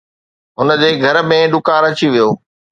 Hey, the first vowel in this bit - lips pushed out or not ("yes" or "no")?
yes